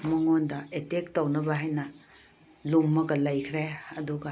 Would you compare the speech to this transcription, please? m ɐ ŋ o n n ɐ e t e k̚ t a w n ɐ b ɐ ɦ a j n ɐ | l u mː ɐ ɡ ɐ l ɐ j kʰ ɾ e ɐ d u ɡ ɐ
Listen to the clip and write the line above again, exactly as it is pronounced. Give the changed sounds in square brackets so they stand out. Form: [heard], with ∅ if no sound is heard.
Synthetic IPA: m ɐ ŋ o n [d] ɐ e t e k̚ t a w n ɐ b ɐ ɦ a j n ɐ | l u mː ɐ ɡ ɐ l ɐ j kʰ ɾ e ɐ d u ɡ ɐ